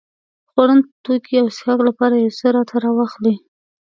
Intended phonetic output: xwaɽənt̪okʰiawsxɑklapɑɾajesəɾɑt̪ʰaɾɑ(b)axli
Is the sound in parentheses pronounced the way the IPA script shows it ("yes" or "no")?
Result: no